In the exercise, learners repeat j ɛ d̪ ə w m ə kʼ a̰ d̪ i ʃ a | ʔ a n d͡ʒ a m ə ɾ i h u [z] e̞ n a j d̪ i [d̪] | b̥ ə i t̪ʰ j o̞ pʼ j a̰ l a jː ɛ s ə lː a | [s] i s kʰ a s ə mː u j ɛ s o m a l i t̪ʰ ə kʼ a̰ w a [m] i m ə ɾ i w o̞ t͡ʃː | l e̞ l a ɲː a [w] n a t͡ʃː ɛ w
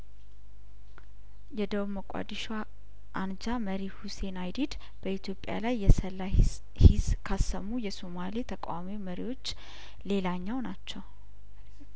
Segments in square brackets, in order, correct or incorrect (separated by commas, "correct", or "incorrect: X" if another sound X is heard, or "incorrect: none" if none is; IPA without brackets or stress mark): incorrect: s, correct, incorrect: h, correct, correct